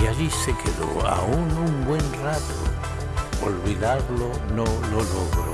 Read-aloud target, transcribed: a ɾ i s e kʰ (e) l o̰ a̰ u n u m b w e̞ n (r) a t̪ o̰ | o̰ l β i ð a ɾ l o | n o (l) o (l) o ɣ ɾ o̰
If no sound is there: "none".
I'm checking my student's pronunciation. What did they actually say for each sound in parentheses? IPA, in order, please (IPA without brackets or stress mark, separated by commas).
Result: e, r, l, l